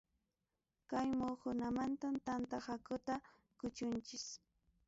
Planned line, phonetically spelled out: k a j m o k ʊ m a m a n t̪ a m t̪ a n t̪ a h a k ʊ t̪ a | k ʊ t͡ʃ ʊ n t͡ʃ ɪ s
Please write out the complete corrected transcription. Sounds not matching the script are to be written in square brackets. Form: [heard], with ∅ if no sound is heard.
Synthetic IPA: k a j m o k ʊ [n] a m a n t̪ a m t̪ a n t̪ a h a k ʊ t̪ a | k ʊ t͡ʃ ʊ n t͡ʃ ɪ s